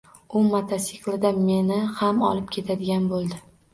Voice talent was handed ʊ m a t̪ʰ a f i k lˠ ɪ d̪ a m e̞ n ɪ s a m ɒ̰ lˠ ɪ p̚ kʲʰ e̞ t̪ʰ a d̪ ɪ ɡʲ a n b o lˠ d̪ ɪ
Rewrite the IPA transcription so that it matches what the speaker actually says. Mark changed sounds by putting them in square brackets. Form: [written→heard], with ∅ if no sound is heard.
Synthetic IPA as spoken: ʊ m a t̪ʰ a [f→s] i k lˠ ɪ d̪ a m e̞ n ɪ [s→h] a m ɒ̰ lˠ ɪ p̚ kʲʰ e̞ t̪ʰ a d̪ ɪ ɡʲ a n b o lˠ d̪ ɪ